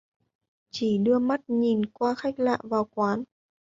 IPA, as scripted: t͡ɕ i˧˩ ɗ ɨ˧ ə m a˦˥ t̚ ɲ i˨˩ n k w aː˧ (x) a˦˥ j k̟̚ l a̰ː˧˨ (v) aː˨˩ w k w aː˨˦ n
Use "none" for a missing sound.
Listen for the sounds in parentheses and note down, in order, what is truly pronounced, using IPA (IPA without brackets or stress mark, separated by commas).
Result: x, v